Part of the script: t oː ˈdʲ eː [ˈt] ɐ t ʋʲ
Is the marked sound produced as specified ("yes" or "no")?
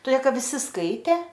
no